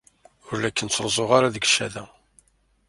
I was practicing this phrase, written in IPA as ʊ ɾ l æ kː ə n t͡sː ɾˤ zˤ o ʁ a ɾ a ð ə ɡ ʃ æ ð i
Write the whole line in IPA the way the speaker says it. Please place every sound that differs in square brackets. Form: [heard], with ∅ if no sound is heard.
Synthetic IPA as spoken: ʊ ɾ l æ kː ə n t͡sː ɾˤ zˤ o ʁ a ɾ a ð ə ɡ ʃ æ ð [æ]